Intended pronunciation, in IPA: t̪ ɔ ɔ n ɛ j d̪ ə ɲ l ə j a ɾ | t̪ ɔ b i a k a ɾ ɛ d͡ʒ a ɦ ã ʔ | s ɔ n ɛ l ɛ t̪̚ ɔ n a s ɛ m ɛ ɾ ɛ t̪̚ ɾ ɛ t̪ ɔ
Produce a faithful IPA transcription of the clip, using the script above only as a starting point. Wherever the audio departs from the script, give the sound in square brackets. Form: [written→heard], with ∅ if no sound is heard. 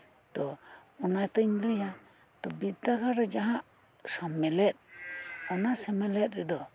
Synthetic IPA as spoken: t̪ ɔ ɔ n [ɛ→a] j [d̪→t̪] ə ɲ l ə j a [ɾ→∅] | t̪ ɔ b i a k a ɾ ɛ d͡ʒ a ɦ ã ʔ | s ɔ [n→m] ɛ l ɛ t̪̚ ɔ n a s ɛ m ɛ [ɾ→l] ɛ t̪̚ ɾ ɛ [t̪→d̪] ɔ